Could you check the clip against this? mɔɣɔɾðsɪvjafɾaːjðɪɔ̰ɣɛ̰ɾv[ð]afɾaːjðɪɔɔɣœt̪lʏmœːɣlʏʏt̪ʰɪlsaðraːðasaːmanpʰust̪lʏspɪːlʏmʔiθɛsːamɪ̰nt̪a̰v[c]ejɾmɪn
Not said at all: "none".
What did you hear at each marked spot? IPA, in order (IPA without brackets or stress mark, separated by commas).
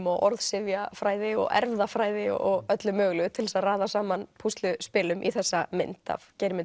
ð, c